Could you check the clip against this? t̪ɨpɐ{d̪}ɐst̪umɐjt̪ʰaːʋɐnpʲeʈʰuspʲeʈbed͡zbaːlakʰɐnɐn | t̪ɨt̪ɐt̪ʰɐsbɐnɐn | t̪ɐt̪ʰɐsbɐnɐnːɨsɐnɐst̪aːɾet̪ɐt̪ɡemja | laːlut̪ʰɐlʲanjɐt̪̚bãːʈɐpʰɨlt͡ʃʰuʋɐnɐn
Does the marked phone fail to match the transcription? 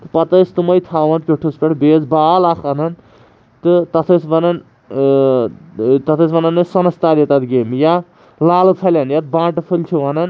yes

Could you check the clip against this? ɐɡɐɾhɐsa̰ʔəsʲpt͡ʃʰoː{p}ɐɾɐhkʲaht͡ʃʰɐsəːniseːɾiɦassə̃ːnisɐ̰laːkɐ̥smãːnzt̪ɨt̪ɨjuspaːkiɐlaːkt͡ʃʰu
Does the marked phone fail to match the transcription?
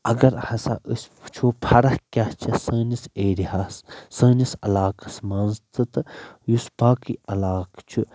yes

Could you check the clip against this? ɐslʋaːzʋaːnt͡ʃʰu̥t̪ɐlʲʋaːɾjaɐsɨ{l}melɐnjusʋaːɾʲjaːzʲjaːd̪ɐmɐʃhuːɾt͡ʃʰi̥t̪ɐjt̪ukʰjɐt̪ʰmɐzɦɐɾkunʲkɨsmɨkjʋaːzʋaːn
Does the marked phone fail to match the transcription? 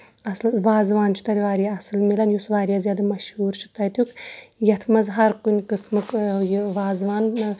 no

